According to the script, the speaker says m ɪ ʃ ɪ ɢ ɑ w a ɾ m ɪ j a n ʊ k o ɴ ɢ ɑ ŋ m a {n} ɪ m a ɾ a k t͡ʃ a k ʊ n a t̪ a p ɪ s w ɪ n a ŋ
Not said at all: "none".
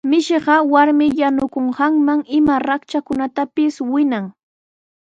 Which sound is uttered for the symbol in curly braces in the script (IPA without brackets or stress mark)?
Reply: ŋ